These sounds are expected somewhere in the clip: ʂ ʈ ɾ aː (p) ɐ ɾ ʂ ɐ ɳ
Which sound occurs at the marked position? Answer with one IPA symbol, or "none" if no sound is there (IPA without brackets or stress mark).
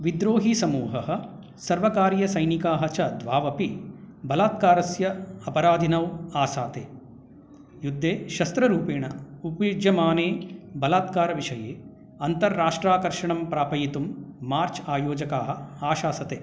k